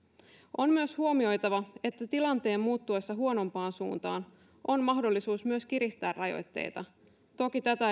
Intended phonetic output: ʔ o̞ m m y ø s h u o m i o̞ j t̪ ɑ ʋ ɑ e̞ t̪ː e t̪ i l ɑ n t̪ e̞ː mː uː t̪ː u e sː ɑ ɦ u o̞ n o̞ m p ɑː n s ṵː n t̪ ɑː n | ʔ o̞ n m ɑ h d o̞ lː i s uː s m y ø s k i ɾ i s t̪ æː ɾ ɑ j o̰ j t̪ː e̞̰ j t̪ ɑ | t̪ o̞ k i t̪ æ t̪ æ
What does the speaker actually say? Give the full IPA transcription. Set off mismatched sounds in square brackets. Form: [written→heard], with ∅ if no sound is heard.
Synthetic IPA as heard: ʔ o̞ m m y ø s h u o m i o̞ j t̪ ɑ ʋ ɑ e̞ t̪ː [e→æ] t̪ i l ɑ n t̪ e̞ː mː uː t̪ː u e sː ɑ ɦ u o̞ n o̞ m p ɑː n s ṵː n t̪ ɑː n | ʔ o̞ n m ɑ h d o̞ lː i s uː s m y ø s k i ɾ i s t̪ æː [ɾ→r] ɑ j o̰ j t̪ː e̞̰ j t̪ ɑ | t̪ o̞ k i t̪ æ t̪ æ

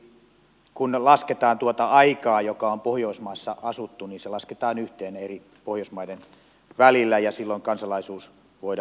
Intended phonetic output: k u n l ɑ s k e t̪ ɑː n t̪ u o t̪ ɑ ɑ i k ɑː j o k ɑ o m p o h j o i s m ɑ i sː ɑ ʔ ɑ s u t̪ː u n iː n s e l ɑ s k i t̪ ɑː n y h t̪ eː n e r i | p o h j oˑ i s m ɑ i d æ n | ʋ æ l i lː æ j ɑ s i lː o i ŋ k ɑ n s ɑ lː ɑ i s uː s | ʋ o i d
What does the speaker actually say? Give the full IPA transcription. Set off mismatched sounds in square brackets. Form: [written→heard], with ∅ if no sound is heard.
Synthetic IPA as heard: k u n l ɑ s k e t̪ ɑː n t̪ u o t̪ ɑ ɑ i k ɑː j o k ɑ o m p o h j o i s m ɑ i sː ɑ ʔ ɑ s u t̪ː u n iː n s e l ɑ s k [i→e] t̪ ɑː n y h t̪ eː n e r i | p o h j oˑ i s m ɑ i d [æ→e] n | ʋ æ l i lː æ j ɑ s i lː o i ŋ k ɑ n s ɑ [lː→l] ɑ i s uː s | ʋ o i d

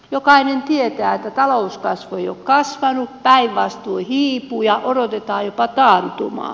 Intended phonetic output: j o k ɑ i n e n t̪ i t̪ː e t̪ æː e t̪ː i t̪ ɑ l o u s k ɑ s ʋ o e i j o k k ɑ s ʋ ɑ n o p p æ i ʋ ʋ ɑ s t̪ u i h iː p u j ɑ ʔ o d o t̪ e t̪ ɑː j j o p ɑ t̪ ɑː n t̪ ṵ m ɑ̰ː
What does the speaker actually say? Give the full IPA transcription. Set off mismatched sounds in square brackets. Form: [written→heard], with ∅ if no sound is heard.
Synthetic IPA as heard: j o k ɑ i n e n t̪ i [t̪ː→∅] e t̪ æː e t̪ː [i→æ] t̪ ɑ l o u s k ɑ s ʋ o e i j o k k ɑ s ʋ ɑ n [o→u] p p æ i ʋ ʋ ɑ s t̪ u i h iː p u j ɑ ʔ o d o t̪ e t̪ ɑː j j o p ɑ t̪ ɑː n t̪ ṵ m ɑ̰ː

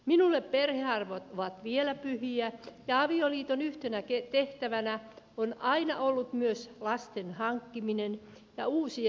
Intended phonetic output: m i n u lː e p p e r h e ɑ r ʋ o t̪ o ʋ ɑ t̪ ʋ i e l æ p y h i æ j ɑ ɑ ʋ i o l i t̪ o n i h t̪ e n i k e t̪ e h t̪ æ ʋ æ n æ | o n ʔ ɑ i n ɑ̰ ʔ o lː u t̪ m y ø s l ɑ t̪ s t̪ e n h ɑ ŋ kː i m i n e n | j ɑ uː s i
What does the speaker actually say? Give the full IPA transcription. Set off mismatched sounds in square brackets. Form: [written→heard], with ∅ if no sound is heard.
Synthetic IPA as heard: m i n u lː e p p e r h e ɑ r ʋ o t̪ o ʋ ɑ t̪ ʋ i e l æ p y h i æ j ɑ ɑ ʋ i o l [i→iː] t̪ o n [i→y] h t̪ e n [i→æ] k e t̪ e h t̪ æ ʋ æ n æ | o n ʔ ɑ i n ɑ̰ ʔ o lː u t̪ m y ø s l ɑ [t̪→∅] s t̪ e n h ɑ ŋ kː i m i n e n | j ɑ uː s i

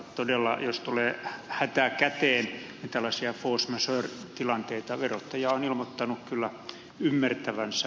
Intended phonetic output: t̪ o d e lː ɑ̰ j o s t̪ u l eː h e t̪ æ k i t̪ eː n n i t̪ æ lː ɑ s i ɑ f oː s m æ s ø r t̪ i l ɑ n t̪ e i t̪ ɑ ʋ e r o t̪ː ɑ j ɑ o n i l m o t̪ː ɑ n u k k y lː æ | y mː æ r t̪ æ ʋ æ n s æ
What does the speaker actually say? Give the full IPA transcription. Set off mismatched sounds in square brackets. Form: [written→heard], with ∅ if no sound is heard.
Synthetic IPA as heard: t̪ o d e lː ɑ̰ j o s t̪ u l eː h [e→æ] t̪ æ k [i→æ] t̪ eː n n i t̪ æ lː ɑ s i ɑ f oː s m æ s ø r t̪ i l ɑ n t̪ e i t̪ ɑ ʋ e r o t̪ː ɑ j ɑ o n i l m o t̪ː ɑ n u k k y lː æ | y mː æ r t̪ æ ʋ æ n s æ

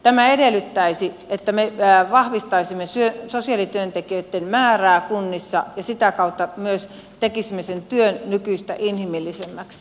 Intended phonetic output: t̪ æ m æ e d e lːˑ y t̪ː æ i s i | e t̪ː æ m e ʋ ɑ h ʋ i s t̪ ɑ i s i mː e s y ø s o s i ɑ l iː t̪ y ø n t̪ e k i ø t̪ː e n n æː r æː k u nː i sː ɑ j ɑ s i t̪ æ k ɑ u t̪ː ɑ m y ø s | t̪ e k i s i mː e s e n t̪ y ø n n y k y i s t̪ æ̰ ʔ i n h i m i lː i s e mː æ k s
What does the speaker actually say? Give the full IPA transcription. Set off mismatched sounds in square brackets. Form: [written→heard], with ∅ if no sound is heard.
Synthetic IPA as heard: t̪ æ m æ e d e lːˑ y t̪ː æ i s i | e t̪ː æ m e ʋ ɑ h ʋ i s t̪ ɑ i s i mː e s y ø s o s i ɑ l [iː→i] t̪ y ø n t̪ e k i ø t̪ː e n [n→m] æː r æː k u nː i sː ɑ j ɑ s i t̪ æ k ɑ u t̪ː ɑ m y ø s | t̪ e k i s i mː e s e n t̪ y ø n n y k y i s t̪ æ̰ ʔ i n h i m i lː i s e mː æ k s

